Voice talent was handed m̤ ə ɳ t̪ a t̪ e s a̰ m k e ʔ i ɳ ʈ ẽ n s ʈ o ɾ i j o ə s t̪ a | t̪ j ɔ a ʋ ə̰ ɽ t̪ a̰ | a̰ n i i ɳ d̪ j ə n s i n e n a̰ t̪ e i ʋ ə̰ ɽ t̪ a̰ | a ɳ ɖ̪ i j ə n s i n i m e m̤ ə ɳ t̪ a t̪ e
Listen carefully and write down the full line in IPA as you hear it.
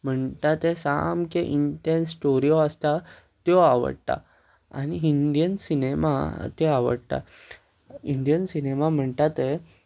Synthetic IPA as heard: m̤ ə ɳ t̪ a t̪ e s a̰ m k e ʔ i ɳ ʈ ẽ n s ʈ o ɾ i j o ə s t̪ a | t̪ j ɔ a ʋ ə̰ ɽ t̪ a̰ | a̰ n i i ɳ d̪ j ə n s i n e m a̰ t̪ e a ʋ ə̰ ɽ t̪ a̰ | i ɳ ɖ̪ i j ə n s i n e m a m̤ ə ɳ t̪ a t̪ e